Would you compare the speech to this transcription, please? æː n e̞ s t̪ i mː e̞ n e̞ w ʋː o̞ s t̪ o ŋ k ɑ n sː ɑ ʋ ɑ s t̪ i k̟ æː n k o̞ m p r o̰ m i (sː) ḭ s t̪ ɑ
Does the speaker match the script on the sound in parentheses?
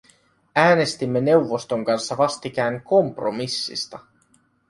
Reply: yes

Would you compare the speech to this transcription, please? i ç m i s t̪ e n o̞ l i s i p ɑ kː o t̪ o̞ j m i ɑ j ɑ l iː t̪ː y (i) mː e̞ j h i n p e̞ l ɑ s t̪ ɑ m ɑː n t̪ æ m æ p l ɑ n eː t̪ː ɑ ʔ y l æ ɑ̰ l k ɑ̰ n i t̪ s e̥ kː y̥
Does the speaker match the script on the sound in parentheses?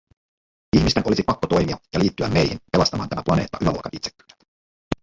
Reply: no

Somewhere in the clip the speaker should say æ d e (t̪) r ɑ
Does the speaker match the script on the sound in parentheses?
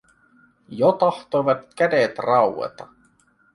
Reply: yes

